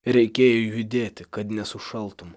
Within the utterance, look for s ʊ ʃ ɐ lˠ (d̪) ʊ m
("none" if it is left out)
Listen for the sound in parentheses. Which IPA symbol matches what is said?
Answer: t̪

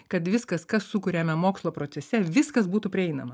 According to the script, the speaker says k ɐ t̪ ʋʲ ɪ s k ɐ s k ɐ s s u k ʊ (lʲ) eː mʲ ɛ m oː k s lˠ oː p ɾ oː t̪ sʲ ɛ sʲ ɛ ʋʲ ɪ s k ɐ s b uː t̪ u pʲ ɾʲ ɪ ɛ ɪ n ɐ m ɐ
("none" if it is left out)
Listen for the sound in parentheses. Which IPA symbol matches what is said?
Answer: ɾʲ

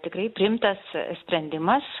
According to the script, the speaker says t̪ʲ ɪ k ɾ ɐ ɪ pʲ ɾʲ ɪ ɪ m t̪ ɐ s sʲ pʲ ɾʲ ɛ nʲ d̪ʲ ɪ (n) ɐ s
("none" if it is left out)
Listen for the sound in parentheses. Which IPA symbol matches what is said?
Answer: m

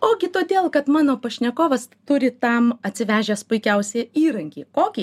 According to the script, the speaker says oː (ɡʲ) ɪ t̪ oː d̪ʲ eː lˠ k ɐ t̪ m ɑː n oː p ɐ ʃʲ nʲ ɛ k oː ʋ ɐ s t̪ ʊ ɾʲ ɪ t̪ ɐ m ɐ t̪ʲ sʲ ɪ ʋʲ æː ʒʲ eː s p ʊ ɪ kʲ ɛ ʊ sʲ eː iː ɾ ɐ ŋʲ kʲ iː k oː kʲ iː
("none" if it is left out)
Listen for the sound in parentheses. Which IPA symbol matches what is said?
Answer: ɡʲ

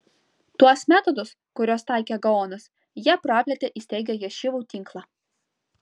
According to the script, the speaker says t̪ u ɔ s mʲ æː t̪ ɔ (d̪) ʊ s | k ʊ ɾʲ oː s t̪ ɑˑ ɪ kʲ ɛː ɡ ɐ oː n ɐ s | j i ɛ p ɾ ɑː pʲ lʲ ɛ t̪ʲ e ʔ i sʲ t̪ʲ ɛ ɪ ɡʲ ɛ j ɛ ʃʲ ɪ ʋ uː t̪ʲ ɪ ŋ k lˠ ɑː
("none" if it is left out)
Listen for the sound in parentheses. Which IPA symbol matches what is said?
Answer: d̪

